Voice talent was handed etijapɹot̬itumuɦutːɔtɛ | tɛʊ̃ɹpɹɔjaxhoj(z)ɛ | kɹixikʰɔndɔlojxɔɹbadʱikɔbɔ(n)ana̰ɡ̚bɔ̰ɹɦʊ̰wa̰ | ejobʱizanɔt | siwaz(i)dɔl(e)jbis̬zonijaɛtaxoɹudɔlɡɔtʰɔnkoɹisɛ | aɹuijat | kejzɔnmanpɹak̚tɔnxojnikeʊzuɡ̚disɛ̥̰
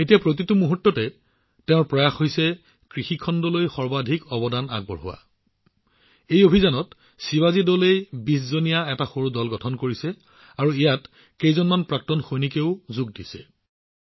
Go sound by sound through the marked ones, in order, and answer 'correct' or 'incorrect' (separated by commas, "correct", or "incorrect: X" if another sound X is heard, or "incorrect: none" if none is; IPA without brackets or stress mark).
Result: incorrect: s, incorrect: d, correct, correct